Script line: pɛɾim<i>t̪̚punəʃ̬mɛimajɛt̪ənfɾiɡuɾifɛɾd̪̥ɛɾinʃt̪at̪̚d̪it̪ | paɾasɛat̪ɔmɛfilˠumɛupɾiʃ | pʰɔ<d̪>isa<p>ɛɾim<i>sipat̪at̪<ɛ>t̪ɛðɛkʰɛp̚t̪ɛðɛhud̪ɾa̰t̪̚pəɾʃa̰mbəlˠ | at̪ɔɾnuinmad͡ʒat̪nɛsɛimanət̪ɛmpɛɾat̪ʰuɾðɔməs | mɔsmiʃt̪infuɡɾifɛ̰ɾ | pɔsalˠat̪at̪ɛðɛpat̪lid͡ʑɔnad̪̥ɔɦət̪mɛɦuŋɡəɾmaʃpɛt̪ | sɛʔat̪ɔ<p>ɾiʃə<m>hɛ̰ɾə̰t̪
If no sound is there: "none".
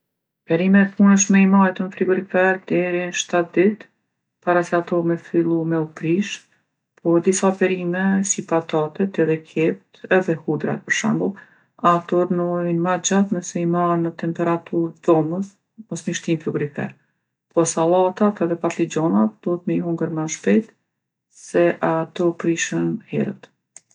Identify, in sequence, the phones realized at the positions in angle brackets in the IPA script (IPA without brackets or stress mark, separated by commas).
ɛ, d̪, p, ɛ, ɛ, p, n